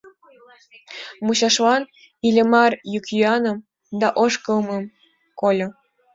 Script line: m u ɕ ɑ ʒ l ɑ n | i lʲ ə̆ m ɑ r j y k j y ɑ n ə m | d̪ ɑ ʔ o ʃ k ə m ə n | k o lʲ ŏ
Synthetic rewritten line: m u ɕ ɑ ʃ l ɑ n | i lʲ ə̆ m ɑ r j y k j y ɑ n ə m | d̪ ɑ ʔ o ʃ k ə m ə m | k o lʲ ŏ